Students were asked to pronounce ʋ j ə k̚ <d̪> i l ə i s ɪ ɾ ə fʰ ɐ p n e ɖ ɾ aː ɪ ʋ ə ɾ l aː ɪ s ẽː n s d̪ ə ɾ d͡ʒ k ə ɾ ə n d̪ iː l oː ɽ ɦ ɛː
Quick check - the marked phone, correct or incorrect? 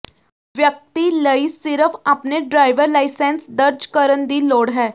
incorrect